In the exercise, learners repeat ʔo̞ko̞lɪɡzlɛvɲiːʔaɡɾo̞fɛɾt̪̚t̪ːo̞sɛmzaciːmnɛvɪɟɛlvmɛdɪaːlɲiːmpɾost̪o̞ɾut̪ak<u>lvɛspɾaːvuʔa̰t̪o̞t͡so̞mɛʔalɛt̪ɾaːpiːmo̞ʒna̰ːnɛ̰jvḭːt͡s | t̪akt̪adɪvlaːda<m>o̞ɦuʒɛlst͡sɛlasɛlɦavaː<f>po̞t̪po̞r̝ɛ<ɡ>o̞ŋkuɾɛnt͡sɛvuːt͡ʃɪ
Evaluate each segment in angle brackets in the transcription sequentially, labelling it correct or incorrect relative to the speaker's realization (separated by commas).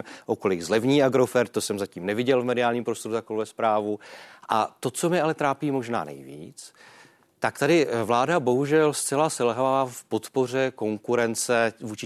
incorrect, incorrect, correct, incorrect